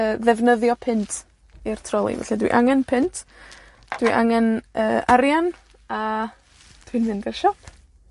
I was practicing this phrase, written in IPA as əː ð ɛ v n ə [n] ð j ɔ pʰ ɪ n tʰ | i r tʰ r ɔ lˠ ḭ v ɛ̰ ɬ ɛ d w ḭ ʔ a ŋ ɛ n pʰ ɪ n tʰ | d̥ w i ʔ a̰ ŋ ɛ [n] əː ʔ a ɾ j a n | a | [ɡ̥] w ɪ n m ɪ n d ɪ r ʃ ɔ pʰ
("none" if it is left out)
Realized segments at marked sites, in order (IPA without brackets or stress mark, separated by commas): none, n, d̥